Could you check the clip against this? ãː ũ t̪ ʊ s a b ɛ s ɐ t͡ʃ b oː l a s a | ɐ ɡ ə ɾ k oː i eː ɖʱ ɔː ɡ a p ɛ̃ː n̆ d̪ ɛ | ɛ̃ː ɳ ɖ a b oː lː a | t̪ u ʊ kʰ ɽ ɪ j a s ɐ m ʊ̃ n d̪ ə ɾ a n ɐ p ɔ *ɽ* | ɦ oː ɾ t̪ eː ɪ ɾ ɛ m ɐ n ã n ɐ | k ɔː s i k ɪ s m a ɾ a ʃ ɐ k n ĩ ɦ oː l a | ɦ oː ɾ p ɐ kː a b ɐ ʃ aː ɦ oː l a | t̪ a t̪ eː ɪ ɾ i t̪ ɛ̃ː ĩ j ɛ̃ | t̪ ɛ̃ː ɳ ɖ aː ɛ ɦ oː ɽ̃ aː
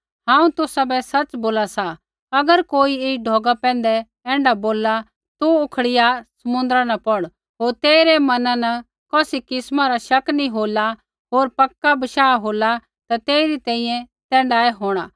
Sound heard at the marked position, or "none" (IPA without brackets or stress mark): ɽ